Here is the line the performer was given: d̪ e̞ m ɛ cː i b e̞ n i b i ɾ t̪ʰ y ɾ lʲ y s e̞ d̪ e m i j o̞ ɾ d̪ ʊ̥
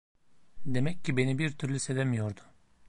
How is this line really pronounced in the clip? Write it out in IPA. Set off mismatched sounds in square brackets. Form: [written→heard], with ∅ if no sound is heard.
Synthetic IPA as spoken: d̪ e̞ m ɛ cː i b e̞ n i b i ɾ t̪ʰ y ɾ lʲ y s e̞ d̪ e m i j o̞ ɾ d̪ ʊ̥